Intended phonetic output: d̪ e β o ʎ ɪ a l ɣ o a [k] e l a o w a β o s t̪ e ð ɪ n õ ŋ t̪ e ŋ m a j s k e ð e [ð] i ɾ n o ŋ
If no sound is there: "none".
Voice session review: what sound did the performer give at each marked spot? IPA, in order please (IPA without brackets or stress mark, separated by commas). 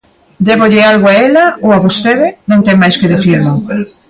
none, θ